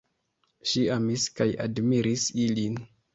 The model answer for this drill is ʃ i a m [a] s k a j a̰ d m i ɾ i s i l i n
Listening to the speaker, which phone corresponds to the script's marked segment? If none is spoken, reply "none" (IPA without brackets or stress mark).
i